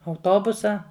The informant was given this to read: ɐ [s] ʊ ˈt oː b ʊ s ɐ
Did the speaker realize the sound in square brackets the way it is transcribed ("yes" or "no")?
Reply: no